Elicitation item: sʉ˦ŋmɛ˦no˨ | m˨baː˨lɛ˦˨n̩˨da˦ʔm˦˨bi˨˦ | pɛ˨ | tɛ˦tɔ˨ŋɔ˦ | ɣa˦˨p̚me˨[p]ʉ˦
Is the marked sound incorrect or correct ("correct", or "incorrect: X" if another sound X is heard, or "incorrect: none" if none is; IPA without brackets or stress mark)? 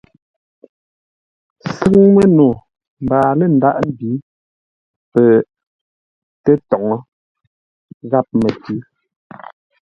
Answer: incorrect: t